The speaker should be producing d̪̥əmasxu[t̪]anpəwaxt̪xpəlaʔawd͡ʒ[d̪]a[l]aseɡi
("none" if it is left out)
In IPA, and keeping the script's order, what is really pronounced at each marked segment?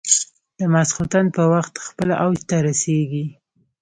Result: t̪, t̪, ɾ

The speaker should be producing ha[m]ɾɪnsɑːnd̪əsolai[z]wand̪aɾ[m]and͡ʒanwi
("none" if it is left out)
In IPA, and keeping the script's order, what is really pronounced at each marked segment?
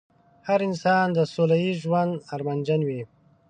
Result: none, ʒ, m

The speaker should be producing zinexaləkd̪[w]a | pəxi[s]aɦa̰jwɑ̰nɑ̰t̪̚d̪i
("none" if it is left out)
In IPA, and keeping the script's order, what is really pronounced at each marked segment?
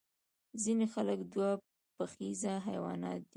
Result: w, z

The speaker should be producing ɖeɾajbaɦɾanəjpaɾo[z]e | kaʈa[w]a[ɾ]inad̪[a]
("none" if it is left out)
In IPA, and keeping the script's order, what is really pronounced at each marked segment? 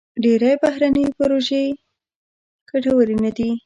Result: ʒ, w, ɾ, i

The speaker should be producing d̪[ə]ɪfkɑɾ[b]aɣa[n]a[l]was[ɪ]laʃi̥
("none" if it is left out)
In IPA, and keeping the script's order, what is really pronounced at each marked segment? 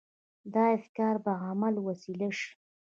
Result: ɑ, b, m, l, i

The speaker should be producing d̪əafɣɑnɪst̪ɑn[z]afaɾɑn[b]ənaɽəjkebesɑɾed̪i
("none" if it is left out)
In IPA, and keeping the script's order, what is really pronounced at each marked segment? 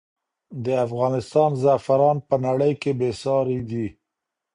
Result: z, p

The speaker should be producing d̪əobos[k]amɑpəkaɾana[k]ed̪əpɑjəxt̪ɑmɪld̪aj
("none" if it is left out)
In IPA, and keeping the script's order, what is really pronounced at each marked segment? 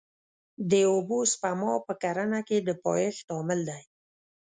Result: p, k

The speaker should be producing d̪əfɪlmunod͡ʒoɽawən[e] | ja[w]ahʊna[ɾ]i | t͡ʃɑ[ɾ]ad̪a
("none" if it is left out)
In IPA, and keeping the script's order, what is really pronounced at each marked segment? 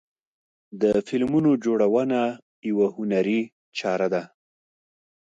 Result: a, w, ɾ, ɾ

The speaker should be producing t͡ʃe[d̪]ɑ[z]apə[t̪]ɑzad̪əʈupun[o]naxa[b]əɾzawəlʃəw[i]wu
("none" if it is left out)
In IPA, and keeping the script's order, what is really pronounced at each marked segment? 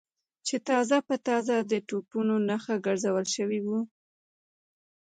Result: t̪, z, t̪, o, ɡ, i

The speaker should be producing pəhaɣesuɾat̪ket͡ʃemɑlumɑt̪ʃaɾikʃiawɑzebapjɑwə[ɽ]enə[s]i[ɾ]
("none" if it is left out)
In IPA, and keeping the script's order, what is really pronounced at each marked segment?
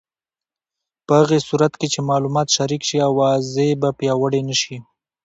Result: ɽ, ʃ, none

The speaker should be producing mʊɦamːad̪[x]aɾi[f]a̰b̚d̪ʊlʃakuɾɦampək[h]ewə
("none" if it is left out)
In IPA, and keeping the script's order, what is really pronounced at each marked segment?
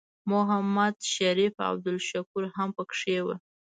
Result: ʃ, f, ʂ

